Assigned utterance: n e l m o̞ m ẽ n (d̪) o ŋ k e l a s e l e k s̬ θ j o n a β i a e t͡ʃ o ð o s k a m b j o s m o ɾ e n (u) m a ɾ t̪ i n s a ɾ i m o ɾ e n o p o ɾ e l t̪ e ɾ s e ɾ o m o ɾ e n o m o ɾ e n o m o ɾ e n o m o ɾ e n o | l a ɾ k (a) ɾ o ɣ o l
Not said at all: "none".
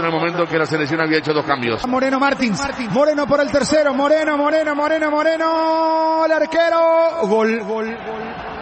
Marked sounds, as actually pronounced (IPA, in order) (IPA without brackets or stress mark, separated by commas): t̪, o, e